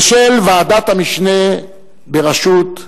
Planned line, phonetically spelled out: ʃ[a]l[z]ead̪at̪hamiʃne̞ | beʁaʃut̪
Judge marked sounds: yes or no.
no, no

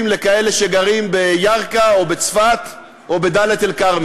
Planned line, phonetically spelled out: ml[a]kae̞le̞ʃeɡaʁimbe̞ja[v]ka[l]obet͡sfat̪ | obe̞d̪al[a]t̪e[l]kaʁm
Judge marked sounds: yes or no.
no, no, no, no, yes

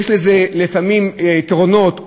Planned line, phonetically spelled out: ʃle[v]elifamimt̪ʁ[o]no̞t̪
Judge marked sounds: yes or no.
no, yes

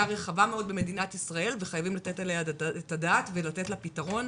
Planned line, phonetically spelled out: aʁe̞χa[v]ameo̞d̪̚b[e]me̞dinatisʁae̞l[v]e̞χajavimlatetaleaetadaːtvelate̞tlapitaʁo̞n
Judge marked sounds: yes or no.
yes, yes, yes

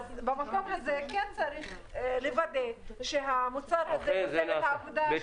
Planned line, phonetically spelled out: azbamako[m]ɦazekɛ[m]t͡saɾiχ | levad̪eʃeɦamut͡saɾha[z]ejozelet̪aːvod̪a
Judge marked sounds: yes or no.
yes, no, yes

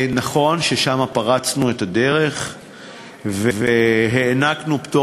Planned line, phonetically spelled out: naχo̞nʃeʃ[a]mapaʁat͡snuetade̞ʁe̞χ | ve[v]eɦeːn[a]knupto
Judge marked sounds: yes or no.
yes, yes, yes

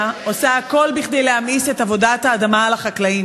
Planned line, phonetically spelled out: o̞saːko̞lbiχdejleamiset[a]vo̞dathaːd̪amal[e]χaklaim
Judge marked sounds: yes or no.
yes, no

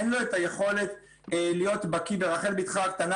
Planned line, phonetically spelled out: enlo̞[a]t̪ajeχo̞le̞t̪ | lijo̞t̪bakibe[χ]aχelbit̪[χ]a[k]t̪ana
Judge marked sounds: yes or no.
no, no, yes, yes

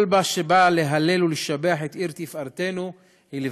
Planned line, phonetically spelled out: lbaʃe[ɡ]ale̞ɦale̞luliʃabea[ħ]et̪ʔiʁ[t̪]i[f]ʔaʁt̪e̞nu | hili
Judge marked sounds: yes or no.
no, yes, yes, yes

